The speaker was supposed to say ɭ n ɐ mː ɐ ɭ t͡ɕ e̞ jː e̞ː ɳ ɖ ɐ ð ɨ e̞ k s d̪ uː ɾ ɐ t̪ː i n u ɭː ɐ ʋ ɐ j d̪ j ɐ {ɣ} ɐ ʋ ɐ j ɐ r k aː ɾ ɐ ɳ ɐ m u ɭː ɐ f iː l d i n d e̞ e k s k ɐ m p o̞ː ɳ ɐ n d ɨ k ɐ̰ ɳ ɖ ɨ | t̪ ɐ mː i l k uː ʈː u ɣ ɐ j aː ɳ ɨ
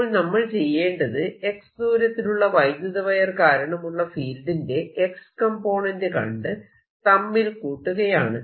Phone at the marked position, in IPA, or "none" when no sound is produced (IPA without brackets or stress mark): ð